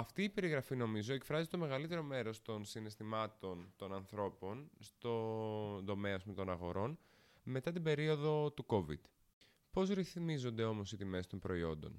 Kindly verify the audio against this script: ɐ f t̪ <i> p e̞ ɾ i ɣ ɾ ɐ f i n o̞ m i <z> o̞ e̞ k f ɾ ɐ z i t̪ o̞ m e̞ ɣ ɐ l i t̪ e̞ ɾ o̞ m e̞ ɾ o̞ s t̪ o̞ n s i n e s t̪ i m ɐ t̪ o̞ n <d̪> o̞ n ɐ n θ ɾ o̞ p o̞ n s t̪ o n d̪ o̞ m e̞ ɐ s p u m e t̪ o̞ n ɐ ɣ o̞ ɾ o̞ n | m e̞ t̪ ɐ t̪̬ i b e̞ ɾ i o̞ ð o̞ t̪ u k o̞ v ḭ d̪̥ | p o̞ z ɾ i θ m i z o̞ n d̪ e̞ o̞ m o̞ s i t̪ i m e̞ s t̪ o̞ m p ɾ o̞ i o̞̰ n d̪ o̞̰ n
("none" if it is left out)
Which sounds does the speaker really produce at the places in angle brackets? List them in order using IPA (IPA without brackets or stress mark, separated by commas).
iː, z, t̪